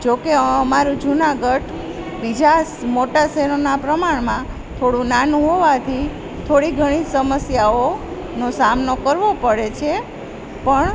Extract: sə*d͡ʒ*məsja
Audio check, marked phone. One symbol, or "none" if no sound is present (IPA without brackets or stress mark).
none